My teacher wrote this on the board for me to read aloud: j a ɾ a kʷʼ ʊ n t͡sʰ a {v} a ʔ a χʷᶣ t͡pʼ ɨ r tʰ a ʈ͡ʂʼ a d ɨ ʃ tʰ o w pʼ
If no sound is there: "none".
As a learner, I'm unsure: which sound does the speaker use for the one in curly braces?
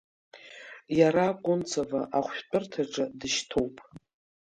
v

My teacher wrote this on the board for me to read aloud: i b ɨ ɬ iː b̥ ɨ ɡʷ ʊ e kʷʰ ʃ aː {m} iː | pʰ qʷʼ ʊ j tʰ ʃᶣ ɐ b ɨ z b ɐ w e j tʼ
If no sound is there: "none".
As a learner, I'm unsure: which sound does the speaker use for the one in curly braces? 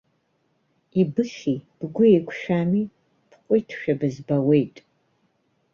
m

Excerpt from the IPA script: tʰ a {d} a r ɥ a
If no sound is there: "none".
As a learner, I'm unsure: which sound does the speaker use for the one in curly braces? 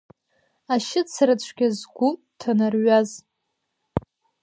n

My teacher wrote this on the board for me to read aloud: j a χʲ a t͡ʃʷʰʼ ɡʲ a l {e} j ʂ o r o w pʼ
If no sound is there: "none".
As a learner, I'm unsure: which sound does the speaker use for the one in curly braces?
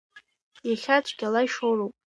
a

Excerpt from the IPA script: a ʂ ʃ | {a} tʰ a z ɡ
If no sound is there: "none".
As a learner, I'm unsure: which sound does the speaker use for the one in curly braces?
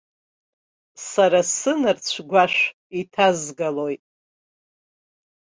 i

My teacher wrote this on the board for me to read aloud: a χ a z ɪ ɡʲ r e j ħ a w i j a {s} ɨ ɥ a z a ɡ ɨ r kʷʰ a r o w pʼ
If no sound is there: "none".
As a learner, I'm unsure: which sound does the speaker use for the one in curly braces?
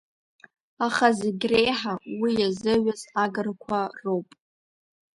z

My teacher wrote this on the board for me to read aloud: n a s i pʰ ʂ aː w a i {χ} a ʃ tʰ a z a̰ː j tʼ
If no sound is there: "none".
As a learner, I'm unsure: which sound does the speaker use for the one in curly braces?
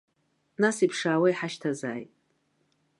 ħ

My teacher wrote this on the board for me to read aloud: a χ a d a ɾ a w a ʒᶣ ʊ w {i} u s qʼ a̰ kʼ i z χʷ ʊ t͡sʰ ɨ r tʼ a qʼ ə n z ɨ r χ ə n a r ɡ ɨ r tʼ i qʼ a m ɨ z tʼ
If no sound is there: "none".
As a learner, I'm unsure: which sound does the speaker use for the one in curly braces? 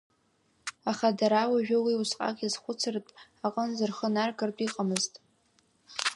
i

